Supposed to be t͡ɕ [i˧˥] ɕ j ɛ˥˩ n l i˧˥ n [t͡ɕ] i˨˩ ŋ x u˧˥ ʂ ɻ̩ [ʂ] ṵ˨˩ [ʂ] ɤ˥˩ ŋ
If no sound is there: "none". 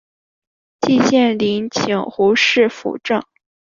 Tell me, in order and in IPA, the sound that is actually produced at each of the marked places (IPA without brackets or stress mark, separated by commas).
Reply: i˥˧, t͡ɕʰ, f, ʈ͡ʂ